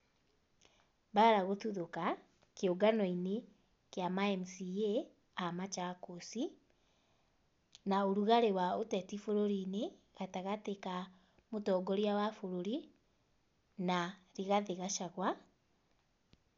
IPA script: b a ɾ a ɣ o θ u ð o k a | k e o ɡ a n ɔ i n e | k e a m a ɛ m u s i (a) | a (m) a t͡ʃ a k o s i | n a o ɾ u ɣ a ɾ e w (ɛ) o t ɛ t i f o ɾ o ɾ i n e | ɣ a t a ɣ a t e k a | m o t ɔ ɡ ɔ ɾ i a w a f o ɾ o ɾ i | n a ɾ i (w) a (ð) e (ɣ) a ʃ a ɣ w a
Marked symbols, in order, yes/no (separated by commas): no, yes, no, no, yes, yes